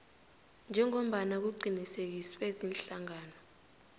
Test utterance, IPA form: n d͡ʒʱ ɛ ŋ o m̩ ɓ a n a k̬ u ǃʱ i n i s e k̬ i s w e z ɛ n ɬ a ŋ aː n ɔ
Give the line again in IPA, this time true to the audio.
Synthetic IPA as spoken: n d͡ʒʱ ɛ ŋ o m̩ ɓ a n a k̬ u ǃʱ i n i s e k̬ i s w e z i n ɬ a ŋ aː n ɔ